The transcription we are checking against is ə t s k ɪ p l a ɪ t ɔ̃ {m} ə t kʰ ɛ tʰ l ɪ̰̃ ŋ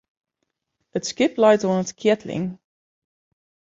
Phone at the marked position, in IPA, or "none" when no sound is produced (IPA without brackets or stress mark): n